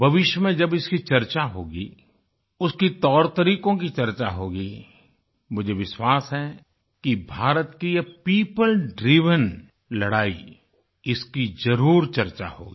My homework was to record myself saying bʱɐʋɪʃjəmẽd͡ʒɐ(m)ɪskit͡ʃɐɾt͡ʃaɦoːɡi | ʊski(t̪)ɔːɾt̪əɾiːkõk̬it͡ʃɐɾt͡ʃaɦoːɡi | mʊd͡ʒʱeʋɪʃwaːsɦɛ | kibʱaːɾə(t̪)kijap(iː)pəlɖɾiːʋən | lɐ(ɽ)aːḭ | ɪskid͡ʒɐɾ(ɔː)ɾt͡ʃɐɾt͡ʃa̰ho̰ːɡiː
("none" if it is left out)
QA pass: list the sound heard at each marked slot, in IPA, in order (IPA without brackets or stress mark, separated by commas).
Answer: b, t̪, t̪, iː, ɽ, uː